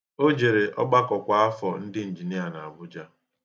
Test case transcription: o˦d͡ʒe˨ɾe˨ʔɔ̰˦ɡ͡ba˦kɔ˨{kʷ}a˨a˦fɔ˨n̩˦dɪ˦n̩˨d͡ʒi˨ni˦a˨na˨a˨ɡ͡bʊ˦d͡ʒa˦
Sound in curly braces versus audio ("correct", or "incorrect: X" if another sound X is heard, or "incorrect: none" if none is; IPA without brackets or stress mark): correct